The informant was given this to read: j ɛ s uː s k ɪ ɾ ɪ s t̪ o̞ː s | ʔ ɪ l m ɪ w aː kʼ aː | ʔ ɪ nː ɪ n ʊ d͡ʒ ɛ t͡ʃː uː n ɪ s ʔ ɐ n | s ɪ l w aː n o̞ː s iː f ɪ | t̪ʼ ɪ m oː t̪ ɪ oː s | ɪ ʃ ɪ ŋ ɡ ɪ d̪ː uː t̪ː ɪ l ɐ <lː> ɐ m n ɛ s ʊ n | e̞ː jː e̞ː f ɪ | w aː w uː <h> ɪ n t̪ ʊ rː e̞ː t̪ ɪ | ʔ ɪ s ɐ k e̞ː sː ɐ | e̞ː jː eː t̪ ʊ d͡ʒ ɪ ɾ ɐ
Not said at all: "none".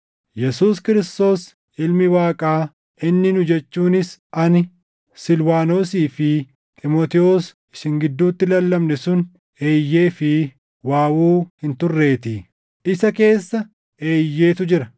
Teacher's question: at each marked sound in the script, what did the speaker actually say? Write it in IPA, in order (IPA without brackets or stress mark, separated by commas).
lː, h